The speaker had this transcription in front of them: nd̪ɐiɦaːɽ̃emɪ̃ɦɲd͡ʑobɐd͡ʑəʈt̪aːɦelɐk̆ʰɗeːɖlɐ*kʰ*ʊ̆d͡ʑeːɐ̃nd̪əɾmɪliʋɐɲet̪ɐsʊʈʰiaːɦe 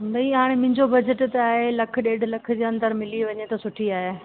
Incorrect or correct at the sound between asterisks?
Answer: correct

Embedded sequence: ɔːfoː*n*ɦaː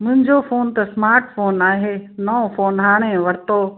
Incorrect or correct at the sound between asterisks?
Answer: correct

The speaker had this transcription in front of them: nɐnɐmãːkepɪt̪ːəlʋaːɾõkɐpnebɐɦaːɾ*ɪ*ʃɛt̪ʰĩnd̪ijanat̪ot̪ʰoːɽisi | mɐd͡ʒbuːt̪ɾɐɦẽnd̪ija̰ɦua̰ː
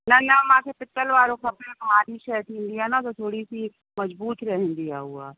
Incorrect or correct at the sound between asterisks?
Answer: incorrect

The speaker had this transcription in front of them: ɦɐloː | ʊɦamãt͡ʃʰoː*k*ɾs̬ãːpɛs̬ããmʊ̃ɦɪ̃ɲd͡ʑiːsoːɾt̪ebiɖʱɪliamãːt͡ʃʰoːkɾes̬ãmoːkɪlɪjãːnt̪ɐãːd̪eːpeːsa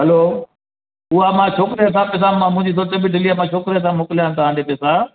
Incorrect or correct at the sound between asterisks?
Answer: correct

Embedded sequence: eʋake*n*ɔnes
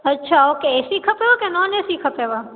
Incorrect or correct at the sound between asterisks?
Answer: correct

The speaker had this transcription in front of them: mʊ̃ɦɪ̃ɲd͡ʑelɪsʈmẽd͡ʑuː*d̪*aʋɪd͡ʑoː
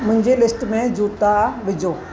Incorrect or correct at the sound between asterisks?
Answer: incorrect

